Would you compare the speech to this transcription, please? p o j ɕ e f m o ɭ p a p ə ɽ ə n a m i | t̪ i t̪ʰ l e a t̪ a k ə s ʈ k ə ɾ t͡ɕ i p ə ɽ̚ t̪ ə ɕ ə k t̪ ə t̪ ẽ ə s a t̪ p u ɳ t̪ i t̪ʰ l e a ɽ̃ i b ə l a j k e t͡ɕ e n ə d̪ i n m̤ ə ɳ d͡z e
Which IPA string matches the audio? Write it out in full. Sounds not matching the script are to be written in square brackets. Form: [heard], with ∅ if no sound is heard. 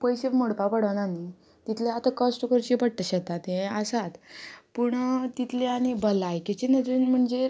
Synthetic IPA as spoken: p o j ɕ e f m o [ɽ] p a p ə ɽ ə n a [n] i | t̪ i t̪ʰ l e a t̪ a k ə s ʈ k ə ɾ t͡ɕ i p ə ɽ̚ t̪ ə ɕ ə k t̪ [a] t̪ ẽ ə s a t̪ p u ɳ t̪ i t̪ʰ l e a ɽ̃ i b ə l a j k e t͡ɕ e n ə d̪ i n m̤ ə ɳ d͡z e